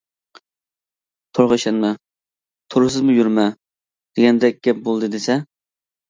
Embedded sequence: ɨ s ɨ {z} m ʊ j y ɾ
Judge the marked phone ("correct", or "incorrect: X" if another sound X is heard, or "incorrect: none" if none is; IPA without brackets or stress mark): correct